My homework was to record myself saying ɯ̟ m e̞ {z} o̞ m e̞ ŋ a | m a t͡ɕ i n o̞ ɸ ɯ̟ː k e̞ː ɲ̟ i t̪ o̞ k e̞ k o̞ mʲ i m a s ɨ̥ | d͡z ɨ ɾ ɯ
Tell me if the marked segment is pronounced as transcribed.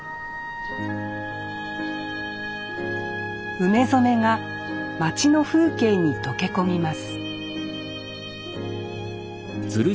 yes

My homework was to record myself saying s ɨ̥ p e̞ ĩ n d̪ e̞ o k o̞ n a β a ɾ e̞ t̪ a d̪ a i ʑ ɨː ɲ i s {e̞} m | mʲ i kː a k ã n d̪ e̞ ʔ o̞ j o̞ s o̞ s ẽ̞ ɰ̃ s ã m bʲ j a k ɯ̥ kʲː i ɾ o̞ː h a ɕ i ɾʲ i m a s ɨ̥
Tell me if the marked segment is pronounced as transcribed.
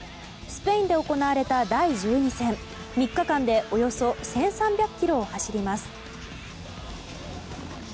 no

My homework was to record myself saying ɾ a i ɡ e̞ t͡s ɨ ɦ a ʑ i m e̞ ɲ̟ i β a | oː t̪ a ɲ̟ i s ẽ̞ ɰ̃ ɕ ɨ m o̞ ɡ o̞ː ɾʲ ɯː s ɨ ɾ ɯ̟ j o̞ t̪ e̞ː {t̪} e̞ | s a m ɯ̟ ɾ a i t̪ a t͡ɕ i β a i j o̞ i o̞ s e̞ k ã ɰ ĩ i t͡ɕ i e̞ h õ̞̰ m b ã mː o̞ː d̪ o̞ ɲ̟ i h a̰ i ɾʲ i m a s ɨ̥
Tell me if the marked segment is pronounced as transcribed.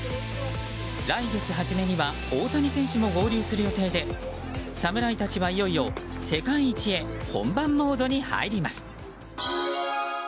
no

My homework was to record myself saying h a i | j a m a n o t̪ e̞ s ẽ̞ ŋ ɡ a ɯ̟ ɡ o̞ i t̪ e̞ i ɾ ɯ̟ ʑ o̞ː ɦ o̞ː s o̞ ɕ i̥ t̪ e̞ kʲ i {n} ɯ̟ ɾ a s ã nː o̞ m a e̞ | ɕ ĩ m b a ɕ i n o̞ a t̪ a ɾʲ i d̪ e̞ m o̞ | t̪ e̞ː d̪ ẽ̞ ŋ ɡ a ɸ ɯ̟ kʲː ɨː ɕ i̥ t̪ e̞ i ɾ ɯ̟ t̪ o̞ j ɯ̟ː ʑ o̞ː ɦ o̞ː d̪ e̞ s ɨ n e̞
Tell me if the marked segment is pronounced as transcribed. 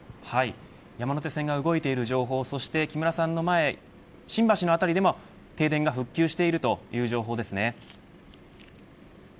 no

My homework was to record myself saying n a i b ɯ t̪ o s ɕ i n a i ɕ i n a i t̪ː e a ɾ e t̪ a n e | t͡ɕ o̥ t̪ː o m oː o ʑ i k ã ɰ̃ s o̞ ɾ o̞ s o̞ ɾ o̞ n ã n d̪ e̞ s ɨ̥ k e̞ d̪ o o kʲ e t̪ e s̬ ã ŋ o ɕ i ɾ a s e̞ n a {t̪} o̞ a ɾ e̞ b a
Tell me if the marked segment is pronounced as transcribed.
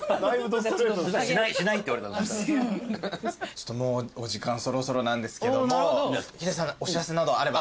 no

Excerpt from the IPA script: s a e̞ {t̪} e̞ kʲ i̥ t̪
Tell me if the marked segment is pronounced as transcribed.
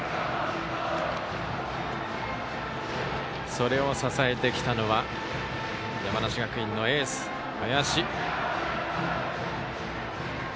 yes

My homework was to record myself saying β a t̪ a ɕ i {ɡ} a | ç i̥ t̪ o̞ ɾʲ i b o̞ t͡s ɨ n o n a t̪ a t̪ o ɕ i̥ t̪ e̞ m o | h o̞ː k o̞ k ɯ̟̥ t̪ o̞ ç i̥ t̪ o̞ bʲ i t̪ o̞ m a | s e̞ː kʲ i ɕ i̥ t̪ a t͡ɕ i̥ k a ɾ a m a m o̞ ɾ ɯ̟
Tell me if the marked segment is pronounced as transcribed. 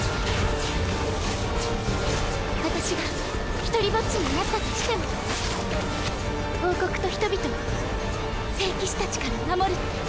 yes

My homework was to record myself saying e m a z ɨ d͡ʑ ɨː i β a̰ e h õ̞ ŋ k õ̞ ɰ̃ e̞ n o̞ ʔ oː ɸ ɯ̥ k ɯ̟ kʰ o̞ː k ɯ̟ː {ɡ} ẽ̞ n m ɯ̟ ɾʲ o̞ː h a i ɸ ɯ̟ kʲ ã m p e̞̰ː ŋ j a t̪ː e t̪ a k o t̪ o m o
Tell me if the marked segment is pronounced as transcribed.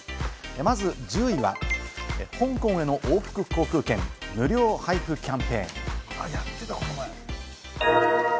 no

